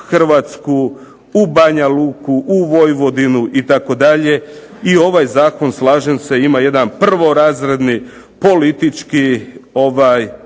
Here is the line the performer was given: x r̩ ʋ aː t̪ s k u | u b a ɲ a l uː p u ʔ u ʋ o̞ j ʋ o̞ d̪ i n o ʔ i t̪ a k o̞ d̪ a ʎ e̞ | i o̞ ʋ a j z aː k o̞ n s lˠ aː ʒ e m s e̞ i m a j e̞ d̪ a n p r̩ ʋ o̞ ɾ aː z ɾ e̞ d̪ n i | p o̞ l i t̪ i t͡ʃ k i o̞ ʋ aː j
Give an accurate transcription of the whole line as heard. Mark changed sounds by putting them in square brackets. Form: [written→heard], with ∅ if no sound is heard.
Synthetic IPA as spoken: x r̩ ʋ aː t̪ s k u | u b a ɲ a l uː [p→k] u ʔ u ʋ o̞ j ʋ o̞ d̪ i n [o→u] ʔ i t̪ a k o̞ d̪ a ʎ e̞ | i o̞ ʋ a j z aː k o̞ n s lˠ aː ʒ e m s e̞ i m a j e̞ d̪ a n p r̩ ʋ o̞ ɾ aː z ɾ e̞ d̪ n i | p o̞ l i t̪ i t͡ʃ k i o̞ ʋ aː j